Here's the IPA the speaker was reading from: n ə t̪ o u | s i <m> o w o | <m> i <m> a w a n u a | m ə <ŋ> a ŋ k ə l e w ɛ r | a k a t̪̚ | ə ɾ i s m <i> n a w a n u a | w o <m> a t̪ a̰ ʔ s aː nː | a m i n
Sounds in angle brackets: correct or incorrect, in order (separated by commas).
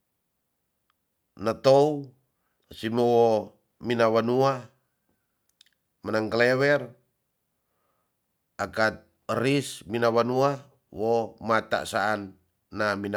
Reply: correct, correct, incorrect, incorrect, correct, correct